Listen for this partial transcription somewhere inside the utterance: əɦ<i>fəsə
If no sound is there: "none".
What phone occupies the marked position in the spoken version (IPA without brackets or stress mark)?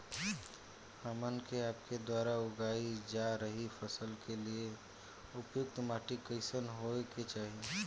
i